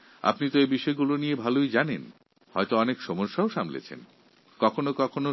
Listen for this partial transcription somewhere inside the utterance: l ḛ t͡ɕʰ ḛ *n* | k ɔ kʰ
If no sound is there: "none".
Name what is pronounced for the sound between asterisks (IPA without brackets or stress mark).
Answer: n